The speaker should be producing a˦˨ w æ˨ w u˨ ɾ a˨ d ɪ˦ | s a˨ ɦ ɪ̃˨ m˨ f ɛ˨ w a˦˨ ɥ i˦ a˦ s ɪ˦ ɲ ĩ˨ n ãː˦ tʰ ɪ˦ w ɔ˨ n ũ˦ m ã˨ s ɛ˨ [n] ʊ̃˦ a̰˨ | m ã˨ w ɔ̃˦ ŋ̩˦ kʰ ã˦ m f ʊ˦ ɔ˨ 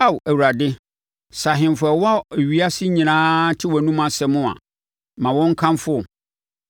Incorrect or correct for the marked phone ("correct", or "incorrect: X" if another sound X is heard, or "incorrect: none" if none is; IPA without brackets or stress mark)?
incorrect: m